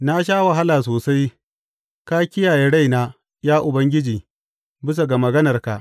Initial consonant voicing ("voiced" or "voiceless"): voiced